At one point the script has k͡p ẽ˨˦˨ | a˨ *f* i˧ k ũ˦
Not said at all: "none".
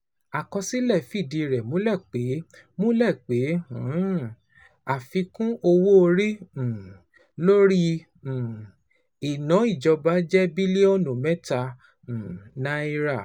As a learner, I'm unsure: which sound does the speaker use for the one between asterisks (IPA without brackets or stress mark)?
f